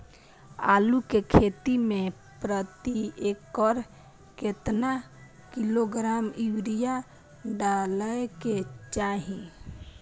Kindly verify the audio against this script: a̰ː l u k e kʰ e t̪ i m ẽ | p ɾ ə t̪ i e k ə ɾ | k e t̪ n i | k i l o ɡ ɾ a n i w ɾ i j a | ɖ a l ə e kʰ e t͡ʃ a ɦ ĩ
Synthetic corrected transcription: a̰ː l u k e kʰ e t̪ i m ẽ | p ɾ ə t̪ i e k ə ɾ | k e t̪ n a | k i l o ɡ ɾ a m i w ɾ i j a | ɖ a l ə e k e t͡ʃ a ɦ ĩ